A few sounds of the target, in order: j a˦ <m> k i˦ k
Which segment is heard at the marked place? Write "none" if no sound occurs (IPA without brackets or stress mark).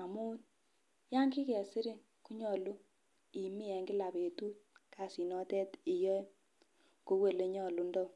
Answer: ŋ